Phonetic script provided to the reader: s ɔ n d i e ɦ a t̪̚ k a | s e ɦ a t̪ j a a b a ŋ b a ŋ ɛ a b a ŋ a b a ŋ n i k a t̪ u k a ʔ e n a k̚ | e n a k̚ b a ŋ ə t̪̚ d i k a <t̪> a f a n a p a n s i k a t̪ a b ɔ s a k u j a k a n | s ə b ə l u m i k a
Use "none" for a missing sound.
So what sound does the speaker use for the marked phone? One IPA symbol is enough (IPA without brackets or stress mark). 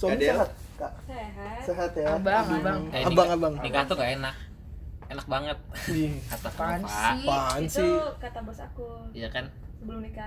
t̪